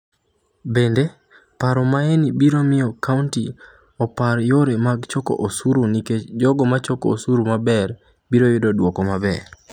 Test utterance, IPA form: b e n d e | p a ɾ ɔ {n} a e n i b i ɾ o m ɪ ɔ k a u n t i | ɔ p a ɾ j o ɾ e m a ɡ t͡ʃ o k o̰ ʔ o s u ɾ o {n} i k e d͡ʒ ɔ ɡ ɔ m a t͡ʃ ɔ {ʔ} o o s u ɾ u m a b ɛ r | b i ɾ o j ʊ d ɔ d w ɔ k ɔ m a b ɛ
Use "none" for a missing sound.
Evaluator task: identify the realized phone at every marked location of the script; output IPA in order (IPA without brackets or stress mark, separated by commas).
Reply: m, n, k